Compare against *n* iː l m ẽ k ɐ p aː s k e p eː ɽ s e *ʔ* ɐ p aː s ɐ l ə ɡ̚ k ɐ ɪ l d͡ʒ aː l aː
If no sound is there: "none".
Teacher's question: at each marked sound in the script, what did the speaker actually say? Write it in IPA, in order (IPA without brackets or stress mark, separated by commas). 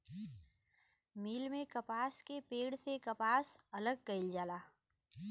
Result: m, k